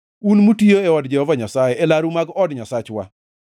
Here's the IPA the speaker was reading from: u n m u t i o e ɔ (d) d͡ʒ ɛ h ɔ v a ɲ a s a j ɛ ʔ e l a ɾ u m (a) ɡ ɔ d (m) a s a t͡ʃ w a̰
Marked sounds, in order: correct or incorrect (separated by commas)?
correct, correct, incorrect